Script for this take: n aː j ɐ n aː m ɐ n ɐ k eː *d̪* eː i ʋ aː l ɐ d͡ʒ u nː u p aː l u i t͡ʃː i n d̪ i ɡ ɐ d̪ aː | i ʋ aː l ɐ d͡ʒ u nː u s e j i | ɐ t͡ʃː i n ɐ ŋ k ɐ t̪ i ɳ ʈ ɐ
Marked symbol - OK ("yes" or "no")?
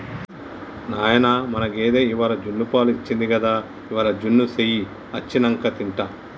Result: yes